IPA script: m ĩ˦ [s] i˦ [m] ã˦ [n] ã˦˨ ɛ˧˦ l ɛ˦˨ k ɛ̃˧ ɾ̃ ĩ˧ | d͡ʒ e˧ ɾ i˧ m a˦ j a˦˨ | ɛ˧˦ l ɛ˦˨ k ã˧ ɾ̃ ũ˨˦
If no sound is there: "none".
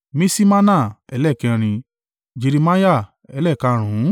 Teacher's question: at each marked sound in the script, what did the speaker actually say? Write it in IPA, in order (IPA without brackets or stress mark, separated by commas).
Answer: s, m, n